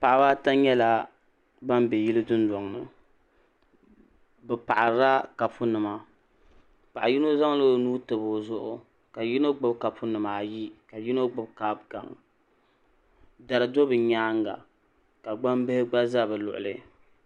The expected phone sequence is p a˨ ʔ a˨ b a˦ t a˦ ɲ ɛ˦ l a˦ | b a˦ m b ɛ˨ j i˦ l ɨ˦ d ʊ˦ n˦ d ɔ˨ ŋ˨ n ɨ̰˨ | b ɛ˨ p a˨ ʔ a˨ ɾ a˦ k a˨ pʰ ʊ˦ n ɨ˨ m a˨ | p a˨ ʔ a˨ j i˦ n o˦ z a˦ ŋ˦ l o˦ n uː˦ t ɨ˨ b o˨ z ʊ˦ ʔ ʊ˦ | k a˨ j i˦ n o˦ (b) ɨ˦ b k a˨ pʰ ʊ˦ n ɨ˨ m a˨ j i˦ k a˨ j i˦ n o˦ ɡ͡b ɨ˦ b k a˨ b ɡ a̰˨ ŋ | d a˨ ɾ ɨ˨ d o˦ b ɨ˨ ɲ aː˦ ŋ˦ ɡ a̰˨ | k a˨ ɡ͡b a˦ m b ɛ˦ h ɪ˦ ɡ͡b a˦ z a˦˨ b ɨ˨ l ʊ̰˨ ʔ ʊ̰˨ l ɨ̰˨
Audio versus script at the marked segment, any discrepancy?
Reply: yes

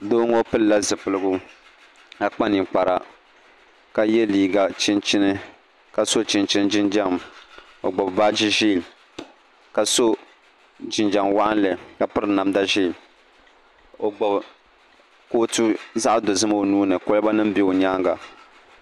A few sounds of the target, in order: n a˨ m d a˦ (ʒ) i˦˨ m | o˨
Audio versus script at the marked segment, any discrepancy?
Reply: no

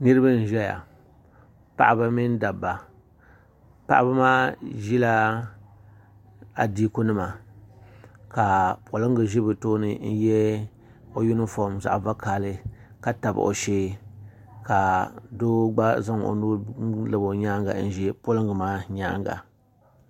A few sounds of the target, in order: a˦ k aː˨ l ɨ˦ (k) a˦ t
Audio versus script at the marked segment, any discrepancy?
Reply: no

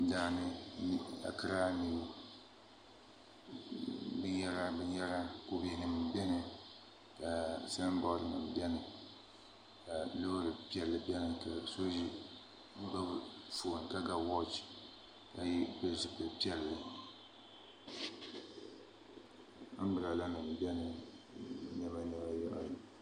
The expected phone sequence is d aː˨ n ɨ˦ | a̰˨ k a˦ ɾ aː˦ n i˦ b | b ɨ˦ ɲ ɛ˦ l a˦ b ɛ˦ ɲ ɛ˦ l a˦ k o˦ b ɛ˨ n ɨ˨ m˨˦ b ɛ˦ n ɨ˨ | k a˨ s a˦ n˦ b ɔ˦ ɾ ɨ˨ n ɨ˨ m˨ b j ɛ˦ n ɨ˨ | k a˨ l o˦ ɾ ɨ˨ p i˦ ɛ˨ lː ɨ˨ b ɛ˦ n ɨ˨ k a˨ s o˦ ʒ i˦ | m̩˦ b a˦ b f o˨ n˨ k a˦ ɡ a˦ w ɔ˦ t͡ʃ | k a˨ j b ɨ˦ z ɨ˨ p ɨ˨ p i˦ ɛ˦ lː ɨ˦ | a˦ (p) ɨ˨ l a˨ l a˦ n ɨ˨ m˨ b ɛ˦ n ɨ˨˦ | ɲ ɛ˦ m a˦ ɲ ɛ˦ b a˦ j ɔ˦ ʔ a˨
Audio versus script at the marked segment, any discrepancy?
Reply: yes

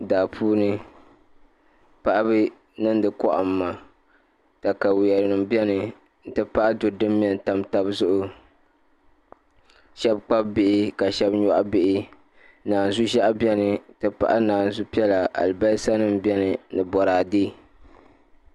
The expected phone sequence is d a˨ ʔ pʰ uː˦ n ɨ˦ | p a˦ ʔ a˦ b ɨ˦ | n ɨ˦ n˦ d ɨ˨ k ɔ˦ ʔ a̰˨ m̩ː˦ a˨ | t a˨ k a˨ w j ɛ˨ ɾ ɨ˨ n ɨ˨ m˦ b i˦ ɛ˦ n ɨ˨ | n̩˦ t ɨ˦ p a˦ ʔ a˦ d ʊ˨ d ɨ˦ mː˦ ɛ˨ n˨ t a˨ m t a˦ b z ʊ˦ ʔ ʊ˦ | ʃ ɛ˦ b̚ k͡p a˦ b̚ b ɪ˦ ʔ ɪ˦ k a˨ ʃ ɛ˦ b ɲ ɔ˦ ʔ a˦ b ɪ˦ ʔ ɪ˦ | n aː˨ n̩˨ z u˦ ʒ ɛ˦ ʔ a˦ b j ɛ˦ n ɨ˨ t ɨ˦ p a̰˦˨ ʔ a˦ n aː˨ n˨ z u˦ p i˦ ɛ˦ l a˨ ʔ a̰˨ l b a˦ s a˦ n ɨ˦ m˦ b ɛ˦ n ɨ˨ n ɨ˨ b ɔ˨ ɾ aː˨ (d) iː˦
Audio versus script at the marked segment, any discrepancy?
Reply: no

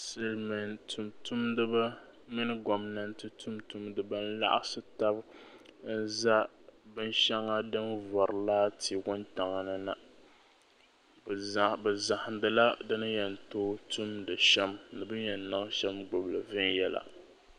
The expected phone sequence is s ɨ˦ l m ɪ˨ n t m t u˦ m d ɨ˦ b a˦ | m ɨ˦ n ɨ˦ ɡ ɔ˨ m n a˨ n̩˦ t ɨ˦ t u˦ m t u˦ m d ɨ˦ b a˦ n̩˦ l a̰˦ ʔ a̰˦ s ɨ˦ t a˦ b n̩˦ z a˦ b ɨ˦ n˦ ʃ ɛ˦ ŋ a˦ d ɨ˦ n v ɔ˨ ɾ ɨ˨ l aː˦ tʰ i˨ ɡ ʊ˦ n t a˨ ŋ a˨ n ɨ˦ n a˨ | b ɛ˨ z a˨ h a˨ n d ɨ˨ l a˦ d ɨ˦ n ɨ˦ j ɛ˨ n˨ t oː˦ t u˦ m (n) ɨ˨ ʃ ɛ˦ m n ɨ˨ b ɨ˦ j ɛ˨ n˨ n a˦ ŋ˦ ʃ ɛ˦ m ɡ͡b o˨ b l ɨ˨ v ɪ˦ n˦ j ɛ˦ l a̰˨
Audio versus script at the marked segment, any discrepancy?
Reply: yes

